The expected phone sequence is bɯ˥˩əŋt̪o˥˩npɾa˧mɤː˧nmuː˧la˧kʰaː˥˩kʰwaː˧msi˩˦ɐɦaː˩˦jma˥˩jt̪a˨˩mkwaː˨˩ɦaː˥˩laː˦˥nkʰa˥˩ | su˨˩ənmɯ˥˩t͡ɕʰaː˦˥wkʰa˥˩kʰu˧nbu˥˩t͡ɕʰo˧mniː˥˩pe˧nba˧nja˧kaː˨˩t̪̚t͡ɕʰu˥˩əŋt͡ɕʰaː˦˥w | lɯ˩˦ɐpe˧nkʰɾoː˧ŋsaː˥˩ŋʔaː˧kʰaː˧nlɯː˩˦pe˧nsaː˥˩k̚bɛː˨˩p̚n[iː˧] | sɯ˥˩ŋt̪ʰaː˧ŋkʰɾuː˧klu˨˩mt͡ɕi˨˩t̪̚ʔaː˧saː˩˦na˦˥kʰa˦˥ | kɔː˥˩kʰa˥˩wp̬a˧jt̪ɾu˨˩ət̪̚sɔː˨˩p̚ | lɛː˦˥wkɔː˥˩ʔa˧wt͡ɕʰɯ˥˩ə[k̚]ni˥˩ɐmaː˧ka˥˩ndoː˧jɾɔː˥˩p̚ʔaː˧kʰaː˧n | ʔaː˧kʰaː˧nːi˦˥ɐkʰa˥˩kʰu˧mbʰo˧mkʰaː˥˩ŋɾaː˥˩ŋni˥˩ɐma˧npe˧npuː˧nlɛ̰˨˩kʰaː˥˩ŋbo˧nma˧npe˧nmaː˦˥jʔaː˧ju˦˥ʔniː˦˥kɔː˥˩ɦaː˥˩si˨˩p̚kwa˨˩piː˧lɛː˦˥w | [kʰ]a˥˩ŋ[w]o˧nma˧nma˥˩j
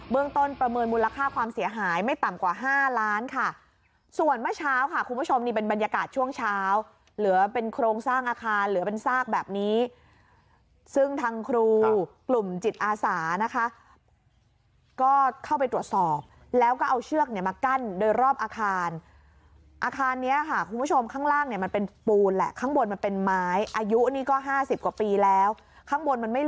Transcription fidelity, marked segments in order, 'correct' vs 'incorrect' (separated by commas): incorrect, correct, correct, incorrect